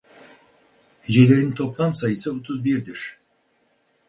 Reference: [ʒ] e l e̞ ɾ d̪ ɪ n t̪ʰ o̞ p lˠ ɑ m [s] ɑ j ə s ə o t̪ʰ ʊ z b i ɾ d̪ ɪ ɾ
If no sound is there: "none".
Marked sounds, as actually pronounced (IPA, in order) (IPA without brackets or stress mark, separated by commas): ʒ, s